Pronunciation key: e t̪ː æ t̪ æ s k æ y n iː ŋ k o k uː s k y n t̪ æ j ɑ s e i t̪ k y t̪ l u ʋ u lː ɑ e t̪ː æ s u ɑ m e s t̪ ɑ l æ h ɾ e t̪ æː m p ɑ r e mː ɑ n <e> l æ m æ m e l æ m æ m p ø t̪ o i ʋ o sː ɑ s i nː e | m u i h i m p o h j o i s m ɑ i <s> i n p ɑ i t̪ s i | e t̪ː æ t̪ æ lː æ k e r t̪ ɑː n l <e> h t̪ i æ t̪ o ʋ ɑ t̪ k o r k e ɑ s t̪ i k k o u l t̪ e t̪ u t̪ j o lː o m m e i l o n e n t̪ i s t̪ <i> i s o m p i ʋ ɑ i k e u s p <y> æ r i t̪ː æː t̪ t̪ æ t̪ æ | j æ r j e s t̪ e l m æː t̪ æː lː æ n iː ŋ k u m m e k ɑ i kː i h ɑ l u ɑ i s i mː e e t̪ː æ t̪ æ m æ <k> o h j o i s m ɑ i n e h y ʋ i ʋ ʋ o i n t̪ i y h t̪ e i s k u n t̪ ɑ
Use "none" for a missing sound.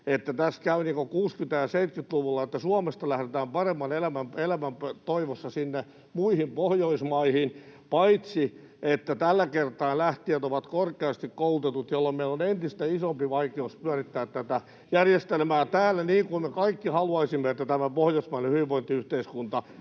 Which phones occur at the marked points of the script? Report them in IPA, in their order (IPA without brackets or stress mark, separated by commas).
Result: e, h, æ, æ, y, p